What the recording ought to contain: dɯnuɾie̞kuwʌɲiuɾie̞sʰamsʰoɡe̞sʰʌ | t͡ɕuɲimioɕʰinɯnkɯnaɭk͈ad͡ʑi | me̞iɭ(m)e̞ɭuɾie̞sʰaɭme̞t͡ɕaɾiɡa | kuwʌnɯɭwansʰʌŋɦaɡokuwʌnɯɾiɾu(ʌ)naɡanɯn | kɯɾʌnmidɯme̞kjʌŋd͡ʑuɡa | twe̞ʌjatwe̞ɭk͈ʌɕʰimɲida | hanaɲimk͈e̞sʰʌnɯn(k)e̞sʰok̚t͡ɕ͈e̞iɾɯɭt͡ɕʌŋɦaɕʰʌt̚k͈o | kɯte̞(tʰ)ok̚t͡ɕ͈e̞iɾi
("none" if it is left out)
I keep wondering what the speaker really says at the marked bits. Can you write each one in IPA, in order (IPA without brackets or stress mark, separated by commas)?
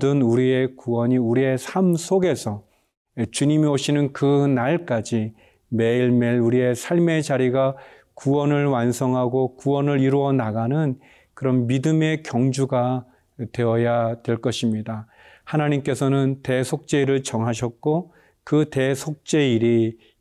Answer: m, ʌ, t, sʰ